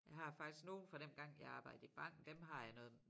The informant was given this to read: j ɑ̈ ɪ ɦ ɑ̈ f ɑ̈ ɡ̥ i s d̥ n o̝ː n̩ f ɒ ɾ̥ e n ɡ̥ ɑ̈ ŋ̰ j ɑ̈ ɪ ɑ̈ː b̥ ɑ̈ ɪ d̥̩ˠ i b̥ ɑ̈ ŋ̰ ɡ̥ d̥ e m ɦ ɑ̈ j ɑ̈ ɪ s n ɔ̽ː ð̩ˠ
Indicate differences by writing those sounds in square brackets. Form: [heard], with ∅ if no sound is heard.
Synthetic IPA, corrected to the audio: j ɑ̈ ɪ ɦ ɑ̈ f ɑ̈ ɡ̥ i s [ɡ̥] n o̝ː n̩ f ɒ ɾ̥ e n ɡ̥ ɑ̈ ŋ̰ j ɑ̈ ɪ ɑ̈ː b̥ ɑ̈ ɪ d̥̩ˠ i b̥ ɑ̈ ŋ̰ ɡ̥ d̥ e m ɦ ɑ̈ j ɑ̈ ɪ [∅] n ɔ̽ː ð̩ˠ